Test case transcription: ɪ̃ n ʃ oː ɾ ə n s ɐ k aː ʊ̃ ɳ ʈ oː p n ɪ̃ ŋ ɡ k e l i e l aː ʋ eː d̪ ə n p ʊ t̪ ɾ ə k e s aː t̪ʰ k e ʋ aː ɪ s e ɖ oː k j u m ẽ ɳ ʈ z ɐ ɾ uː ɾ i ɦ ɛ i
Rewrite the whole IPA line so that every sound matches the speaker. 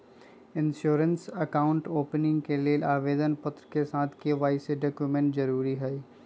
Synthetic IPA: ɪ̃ n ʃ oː ɾ ə n s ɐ k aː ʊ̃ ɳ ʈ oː p n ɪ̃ ŋ ɡ k e l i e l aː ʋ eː d̪ ə n p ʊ t̪ ɾ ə k e s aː t̪ʰ k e ʋ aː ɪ s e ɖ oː k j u m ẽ ɳ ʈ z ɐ ɾ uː ɾ i ɦ ɛ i